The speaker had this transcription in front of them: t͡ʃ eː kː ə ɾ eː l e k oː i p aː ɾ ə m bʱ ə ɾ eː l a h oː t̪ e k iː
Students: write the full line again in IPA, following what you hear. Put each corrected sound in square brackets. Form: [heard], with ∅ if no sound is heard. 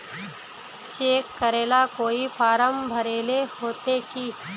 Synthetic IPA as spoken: t͡ʃ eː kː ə ɾ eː l [a] k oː i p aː ɾ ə m bʱ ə ɾ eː l [e] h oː t̪ e k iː